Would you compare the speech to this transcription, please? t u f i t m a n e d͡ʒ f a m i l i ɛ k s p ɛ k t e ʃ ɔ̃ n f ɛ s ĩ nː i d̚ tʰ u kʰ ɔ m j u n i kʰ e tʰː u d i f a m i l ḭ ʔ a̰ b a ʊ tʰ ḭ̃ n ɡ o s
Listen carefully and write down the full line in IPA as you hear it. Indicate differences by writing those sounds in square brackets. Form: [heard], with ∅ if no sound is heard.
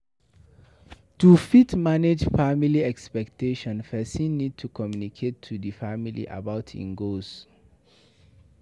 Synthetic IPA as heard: t u f i t m a n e d͡ʒ f a m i l i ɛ k s p ɛ k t e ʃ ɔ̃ n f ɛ s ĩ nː i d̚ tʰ u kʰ ɔ m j u n i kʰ e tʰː u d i f a m i l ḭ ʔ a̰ b a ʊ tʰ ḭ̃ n ɡ o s